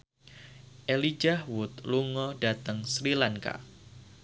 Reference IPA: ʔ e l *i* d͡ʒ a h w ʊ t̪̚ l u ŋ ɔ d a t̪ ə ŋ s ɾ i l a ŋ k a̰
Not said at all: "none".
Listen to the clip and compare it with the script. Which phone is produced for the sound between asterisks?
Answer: i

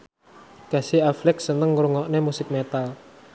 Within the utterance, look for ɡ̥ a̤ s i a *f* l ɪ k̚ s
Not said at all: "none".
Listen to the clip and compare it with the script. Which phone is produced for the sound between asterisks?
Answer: f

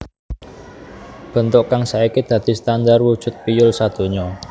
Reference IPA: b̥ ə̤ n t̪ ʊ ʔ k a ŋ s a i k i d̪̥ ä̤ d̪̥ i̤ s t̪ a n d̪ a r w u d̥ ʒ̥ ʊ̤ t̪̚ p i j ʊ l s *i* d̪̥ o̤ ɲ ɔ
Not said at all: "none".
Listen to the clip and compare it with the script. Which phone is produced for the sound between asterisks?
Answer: a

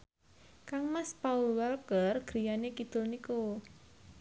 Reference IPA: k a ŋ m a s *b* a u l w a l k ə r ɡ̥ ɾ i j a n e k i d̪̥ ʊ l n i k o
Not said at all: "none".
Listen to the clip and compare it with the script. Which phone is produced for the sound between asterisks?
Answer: p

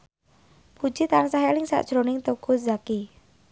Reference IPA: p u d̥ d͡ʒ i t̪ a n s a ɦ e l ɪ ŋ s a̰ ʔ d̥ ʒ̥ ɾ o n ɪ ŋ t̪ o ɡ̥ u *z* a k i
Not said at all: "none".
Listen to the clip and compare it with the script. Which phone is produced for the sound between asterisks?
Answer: z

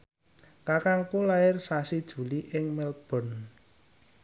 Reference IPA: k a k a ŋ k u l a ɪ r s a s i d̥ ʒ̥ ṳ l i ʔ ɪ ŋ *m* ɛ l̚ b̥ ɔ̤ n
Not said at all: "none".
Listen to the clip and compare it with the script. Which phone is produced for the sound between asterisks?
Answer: m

